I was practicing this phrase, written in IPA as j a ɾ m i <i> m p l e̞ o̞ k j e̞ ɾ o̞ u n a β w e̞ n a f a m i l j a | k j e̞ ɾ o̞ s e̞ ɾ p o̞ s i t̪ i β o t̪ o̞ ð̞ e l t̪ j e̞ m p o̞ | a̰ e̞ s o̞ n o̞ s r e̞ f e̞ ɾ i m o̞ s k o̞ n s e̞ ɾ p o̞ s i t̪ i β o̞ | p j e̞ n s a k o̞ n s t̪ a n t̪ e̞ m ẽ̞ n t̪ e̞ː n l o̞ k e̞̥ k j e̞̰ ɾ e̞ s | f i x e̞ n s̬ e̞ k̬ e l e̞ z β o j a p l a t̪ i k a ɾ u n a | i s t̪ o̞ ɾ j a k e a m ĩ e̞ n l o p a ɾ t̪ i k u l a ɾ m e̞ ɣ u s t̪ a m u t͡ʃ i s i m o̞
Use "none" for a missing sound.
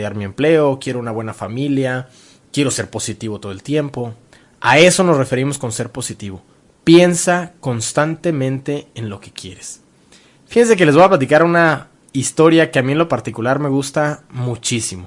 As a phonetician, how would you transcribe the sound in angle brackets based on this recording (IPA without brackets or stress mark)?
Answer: e